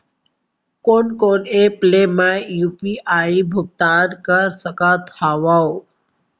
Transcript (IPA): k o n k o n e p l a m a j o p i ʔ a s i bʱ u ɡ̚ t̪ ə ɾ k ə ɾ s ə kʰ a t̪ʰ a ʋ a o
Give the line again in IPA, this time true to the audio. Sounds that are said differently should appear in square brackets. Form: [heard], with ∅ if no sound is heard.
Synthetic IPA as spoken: k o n k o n e p l [e] m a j [u] p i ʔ a [∅] i bʱ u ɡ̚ t̪ [a] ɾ k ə ɾ s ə [k] a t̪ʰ a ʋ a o